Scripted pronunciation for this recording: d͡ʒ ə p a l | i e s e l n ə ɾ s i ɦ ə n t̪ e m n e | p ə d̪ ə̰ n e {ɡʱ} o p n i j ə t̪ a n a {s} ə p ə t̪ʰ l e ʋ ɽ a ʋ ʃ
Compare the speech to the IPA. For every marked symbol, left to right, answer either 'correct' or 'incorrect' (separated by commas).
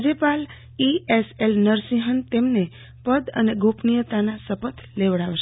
correct, correct